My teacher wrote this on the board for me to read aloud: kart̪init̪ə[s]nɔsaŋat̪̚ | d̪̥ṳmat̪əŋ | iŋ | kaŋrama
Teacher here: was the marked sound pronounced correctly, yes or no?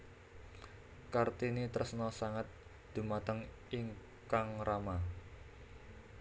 yes